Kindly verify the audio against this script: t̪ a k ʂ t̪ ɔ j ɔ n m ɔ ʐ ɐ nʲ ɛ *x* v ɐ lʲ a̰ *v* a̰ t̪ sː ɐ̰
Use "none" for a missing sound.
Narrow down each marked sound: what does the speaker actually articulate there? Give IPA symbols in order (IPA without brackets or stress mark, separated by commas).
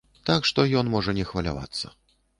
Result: x, v